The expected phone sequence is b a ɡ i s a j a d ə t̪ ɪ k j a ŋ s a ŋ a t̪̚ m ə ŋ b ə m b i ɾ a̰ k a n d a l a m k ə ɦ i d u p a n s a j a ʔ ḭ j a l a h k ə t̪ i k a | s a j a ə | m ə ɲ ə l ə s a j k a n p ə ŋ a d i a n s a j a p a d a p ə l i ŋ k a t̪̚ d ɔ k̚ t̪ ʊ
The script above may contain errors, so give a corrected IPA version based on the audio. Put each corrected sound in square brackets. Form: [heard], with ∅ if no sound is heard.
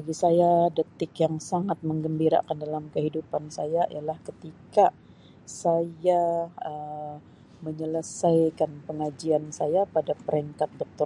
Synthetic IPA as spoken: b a ɡ i s a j a d ə t̪ ɪ k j a ŋ s a ŋ a t̪̚ m ə ŋ [ɡ] ə m b i ɾ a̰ k a n d a l a m k ə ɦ i d u p a n s a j a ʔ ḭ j a l a h k ə t̪ i k a | s a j a ə | m ə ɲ ə l ə s a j k a n p ə ŋ a [d͡ʒ] i a n s a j a p a d a p ə [ɾ] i ŋ k a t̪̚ d ɔ k̚ t̪ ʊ